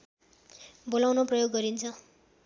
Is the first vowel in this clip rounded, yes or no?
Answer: yes